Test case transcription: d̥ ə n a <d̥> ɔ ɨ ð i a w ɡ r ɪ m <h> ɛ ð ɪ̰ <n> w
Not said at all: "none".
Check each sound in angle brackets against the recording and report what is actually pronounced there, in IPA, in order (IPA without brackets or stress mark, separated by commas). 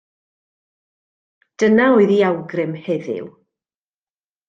none, h, none